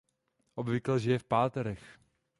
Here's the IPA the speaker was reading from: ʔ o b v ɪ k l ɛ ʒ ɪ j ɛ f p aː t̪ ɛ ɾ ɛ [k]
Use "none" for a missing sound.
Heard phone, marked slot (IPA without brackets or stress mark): x